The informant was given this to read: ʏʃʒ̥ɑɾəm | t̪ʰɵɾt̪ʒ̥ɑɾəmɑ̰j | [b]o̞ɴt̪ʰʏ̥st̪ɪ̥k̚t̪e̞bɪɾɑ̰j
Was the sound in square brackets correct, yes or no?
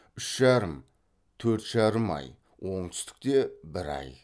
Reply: no